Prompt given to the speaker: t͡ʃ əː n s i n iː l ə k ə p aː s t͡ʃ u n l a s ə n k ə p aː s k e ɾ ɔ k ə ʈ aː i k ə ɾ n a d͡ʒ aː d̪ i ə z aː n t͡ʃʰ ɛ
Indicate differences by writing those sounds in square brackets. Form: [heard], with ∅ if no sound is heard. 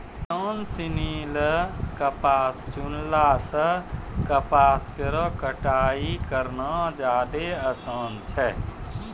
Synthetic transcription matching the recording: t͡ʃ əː n s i n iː l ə k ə p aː s t͡ʃ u n l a s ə [∅] k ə p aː s k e ɾ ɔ k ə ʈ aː i k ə ɾ n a d͡ʒ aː d̪ [e] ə [s] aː n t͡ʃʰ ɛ